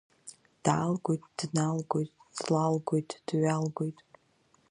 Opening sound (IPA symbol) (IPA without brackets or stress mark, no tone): d̥